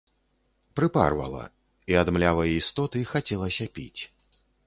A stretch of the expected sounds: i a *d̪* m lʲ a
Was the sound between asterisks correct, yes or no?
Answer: yes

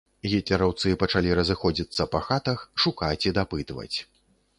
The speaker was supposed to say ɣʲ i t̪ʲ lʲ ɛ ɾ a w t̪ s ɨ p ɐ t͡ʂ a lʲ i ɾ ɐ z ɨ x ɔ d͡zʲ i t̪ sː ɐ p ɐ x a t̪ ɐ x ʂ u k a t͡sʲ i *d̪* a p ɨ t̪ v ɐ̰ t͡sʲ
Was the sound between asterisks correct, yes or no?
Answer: yes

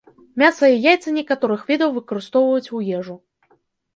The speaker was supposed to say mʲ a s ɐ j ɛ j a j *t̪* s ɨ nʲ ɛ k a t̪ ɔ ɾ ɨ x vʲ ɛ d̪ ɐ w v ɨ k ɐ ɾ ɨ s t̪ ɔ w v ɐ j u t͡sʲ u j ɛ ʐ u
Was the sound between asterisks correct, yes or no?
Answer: yes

